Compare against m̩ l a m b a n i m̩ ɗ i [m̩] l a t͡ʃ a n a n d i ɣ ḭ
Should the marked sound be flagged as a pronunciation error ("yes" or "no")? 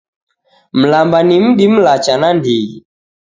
no